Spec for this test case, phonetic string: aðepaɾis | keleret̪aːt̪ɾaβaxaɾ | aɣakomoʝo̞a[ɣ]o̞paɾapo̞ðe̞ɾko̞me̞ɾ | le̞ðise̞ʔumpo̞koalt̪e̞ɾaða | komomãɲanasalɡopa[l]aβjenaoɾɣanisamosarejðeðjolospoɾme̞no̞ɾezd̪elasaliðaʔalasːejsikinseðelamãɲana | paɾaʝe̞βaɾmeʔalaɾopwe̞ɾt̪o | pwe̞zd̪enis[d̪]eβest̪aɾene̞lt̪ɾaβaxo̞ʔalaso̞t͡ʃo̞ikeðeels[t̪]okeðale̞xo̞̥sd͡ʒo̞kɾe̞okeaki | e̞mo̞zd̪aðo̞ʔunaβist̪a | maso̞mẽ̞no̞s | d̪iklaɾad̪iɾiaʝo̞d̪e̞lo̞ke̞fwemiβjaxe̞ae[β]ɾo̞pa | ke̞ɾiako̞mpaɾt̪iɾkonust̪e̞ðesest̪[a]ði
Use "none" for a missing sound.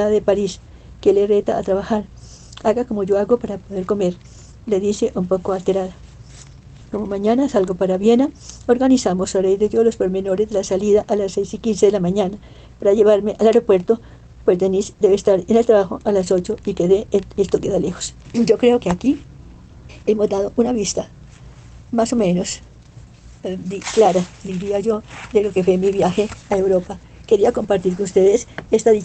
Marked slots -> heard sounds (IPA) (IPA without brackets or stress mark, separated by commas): ɣ, ɾ, d̪, t̪, w, a